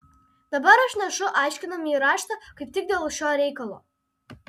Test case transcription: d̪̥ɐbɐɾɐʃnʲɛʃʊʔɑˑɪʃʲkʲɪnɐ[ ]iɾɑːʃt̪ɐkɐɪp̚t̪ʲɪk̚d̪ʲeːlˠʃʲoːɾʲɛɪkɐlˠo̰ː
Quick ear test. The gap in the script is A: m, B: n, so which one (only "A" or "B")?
A